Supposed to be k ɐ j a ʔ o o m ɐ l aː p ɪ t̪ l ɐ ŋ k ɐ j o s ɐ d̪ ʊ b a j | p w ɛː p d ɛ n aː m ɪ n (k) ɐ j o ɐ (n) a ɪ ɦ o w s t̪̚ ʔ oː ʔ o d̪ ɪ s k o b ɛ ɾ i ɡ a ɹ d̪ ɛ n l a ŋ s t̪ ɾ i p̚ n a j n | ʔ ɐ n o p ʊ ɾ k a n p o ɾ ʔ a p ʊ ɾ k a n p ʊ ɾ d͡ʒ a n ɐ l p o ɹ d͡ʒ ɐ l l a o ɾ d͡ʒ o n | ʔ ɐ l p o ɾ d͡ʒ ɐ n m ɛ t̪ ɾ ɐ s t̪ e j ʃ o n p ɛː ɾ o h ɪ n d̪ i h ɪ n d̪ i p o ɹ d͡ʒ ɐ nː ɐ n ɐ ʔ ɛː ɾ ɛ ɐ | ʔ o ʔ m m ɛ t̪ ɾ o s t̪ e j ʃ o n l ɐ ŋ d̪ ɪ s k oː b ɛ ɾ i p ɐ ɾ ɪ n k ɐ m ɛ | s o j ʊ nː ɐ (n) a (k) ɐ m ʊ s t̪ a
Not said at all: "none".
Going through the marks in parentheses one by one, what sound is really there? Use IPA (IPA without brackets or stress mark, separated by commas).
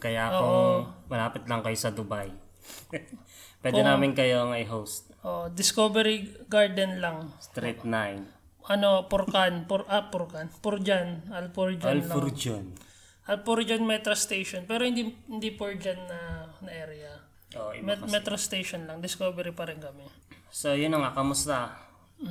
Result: k, ŋ, ŋ, k